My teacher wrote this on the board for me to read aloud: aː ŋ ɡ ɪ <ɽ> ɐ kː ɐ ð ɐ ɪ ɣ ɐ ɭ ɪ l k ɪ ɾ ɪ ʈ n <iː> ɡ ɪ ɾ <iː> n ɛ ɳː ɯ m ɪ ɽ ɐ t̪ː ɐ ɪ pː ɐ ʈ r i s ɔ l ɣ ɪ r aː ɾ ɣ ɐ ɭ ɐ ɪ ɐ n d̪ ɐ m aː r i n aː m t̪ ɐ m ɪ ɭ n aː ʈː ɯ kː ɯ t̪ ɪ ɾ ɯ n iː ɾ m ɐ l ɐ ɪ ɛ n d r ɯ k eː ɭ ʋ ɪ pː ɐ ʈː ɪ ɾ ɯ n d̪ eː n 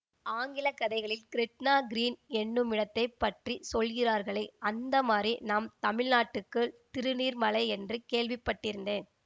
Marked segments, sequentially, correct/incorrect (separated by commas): incorrect, incorrect, correct